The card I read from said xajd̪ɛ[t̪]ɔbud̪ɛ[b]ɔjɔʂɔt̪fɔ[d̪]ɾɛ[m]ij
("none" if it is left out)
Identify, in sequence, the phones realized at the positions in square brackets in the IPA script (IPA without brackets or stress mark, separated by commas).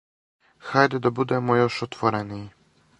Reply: d̪, m, none, n